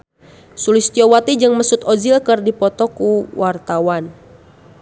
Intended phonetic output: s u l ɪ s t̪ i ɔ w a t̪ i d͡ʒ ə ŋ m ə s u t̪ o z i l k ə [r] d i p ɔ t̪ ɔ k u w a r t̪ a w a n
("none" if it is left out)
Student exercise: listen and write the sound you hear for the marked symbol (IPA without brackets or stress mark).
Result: r